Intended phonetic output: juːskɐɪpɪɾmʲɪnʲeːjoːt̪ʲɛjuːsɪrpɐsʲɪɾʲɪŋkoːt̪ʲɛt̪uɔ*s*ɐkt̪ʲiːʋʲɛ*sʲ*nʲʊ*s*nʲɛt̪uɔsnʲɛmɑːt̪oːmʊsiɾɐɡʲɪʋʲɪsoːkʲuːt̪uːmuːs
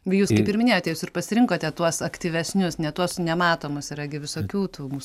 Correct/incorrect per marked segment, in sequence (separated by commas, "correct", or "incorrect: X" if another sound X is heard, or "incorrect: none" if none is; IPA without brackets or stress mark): correct, correct, correct